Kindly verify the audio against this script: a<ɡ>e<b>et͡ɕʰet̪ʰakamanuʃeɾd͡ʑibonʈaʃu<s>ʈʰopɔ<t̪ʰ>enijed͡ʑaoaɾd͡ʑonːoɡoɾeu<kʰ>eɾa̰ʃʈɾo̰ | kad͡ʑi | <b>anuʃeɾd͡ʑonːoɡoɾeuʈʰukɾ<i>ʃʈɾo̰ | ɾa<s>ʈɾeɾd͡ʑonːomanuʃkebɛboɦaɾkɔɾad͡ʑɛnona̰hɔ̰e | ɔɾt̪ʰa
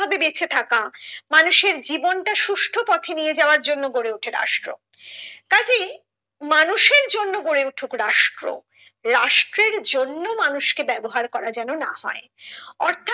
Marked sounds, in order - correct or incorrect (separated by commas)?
incorrect, correct, incorrect, correct, incorrect, incorrect, incorrect, incorrect